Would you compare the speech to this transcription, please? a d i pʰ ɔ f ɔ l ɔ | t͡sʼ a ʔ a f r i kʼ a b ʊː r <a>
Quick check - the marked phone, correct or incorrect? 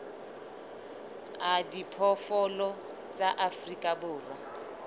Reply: correct